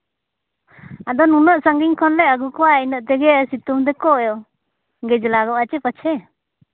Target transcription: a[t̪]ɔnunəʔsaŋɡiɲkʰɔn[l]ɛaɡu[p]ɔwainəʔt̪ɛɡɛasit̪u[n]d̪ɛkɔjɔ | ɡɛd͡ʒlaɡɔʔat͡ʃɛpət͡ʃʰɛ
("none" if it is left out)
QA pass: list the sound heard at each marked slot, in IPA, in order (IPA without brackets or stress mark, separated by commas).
d̪, l, k, m